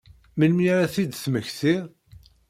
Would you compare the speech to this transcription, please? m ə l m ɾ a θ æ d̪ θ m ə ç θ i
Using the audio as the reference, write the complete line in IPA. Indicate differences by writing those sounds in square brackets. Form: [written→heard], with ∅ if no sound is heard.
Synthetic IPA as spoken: m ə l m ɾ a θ [æ→i] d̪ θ m ə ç θ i